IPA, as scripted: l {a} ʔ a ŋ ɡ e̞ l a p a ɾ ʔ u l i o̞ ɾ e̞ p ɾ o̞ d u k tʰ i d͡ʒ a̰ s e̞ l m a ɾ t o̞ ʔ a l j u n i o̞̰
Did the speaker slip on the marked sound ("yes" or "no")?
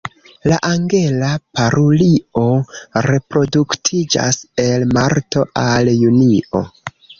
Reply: no